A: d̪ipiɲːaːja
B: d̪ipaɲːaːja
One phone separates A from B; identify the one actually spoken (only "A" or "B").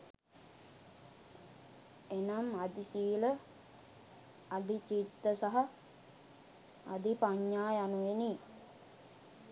B